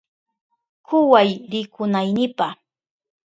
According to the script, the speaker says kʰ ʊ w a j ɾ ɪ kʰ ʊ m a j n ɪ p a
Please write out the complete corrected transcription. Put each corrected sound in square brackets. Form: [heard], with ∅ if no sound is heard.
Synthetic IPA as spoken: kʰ ʊ w a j ɾ ɪ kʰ ʊ [n] a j n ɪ p a